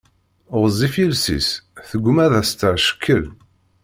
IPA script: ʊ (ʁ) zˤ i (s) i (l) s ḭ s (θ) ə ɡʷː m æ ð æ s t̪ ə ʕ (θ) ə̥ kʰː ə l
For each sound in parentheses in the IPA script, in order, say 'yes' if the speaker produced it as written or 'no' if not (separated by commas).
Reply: yes, no, yes, yes, no